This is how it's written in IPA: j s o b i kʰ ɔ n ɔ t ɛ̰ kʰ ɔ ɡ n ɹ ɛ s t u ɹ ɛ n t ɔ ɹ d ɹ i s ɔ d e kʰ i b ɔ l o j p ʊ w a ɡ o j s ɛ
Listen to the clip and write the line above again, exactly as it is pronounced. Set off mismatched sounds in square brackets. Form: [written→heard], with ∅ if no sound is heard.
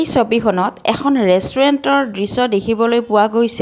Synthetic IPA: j s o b i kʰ ɔ n ɔ t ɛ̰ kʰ ɔ [ɡ→∅] n ɹ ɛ s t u ɹ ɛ n t ɔ ɹ d ɹ i s ɔ d e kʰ i b ɔ l o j p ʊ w a ɡ o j s ɛ